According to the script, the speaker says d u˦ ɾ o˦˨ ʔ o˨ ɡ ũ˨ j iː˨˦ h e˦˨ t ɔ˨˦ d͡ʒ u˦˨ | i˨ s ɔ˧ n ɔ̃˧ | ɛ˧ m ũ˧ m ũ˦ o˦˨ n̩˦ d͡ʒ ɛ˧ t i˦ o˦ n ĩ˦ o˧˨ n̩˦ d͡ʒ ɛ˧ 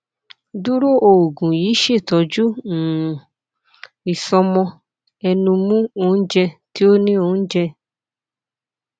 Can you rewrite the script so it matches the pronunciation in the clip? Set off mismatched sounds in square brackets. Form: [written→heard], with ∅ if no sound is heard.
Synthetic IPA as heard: d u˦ ɾ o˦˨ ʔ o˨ ɡ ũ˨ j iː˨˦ [h→ʃ] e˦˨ t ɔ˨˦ d͡ʒ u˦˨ | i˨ s ɔ˧ [n→m] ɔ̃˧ | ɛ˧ [m→n] ũ˧ m ũ˦ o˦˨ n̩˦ d͡ʒ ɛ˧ t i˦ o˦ n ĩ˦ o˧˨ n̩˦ d͡ʒ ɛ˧